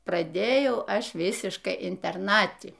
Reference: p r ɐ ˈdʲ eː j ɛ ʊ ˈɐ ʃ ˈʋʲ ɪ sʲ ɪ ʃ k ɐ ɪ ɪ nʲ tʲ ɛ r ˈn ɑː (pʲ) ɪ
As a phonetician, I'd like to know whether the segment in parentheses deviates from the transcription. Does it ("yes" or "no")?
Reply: yes